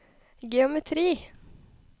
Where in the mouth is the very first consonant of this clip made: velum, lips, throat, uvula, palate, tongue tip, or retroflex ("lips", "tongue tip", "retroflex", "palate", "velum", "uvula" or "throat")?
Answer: velum